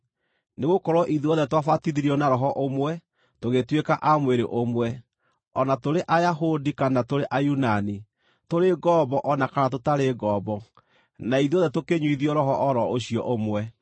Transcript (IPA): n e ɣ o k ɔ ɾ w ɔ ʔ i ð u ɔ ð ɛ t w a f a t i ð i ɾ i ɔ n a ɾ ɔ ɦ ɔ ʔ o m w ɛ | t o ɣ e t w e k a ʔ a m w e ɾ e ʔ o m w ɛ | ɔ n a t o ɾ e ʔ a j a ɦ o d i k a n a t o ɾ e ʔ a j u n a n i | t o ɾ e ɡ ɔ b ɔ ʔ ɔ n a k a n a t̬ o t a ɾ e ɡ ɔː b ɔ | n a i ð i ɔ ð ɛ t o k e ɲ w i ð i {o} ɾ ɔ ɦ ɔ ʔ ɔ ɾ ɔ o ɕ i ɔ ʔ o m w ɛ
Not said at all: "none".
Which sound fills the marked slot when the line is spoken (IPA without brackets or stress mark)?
ɔ